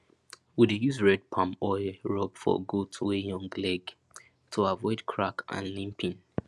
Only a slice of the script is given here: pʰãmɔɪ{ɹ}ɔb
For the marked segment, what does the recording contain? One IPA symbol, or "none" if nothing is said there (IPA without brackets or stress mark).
ɹ